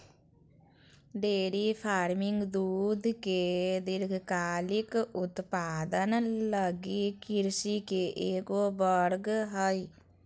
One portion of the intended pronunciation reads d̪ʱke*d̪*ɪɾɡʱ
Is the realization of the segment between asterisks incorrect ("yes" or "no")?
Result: no